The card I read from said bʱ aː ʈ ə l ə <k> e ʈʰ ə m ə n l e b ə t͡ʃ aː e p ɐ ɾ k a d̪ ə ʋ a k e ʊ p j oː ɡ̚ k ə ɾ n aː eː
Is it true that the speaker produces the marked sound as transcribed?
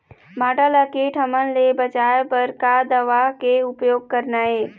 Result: yes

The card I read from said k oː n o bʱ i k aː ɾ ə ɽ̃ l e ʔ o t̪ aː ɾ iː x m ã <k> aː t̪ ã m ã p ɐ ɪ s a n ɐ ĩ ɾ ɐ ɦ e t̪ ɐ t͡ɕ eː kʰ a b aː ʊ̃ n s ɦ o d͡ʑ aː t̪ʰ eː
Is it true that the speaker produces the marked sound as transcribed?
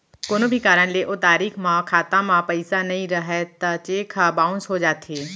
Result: no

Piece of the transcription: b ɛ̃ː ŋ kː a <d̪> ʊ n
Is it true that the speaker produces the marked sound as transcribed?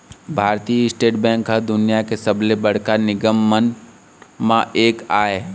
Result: yes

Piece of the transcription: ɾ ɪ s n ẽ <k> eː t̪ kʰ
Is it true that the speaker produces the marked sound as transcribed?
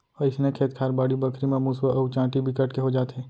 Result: no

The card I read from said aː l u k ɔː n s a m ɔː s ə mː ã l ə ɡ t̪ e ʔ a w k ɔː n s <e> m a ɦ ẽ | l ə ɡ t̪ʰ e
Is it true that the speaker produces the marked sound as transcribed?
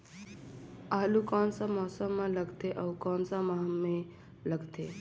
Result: no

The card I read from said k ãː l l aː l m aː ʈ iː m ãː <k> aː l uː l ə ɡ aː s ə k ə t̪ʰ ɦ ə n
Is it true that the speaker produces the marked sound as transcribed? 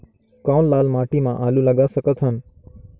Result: no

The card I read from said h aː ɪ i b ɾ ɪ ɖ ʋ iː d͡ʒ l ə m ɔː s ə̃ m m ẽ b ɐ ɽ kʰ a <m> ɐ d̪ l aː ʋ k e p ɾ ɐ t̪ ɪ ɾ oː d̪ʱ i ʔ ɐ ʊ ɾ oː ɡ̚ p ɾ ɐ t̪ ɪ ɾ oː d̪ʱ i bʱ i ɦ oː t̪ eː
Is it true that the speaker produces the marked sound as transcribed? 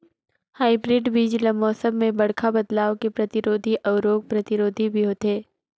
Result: no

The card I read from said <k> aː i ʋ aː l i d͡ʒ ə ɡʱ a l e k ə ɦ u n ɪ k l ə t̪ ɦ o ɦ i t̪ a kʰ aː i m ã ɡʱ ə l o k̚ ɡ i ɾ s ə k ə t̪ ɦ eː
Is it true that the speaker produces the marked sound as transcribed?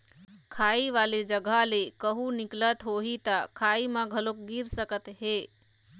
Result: no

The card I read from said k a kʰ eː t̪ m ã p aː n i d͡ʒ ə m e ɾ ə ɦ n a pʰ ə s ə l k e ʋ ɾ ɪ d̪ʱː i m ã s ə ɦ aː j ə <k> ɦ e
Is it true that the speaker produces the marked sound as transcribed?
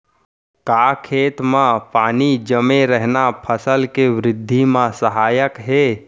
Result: yes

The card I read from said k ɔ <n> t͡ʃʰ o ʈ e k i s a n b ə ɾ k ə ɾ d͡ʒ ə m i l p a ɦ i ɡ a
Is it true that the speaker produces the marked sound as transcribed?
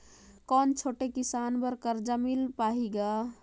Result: yes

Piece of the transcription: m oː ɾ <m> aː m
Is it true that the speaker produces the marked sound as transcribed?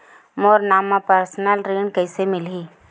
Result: no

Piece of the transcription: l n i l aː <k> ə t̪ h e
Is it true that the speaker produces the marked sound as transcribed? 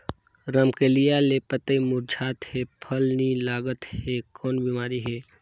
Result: no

